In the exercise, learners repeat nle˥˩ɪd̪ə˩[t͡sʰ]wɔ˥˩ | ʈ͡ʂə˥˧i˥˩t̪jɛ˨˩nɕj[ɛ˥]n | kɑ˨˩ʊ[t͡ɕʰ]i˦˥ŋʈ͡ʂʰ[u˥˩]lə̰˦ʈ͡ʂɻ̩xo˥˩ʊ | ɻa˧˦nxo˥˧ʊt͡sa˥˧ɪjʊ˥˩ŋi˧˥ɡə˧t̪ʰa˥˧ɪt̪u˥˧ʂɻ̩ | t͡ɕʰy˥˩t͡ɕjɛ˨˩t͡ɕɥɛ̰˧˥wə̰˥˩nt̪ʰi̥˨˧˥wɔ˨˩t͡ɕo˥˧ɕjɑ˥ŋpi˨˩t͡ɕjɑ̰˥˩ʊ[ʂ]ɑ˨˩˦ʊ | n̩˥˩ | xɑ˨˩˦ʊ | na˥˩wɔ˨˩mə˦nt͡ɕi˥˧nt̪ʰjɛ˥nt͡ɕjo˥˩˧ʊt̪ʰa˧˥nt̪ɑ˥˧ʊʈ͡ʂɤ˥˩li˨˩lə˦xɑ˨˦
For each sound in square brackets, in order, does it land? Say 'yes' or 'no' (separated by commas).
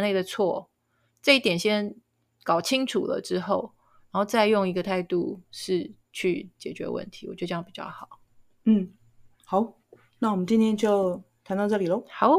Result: yes, yes, yes, no, no